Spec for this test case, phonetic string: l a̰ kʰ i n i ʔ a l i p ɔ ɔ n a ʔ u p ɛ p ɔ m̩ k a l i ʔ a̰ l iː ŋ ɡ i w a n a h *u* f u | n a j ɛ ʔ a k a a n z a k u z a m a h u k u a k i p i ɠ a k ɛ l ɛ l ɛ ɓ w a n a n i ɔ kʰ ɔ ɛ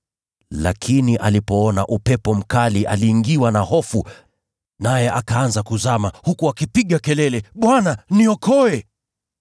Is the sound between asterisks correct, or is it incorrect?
incorrect